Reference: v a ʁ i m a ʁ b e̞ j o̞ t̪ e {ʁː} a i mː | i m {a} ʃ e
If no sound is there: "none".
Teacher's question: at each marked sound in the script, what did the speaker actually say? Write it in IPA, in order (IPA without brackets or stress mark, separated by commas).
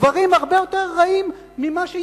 ʁː, a